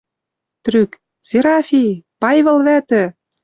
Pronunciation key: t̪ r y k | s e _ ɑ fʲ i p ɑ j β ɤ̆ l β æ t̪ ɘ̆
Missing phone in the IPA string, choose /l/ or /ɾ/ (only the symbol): ɾ